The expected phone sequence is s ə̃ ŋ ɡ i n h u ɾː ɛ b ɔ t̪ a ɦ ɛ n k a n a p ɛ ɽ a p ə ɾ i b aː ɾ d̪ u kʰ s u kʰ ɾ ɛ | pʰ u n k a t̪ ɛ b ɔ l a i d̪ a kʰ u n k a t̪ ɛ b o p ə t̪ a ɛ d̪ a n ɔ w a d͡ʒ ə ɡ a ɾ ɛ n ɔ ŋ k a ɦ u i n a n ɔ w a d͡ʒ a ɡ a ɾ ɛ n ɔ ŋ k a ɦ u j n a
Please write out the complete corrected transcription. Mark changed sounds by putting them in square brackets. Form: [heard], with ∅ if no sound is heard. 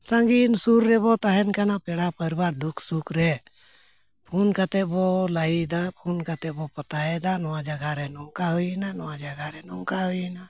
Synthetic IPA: s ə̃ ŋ ɡ i n [s] u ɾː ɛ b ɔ t̪ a ɦ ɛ n k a n a p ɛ ɽ a p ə ɾ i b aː ɾ d̪ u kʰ s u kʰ ɾ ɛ | pʰ u n k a t̪ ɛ b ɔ l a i d̪ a [pʰ] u n k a t̪ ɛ b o p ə t̪ a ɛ d̪ a n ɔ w a d͡ʒ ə ɡ a ɾ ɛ n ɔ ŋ k a ɦ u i n a n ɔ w a d͡ʒ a ɡ a ɾ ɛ n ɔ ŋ k a ɦ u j n a